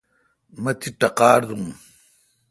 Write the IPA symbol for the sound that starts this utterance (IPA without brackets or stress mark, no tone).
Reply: m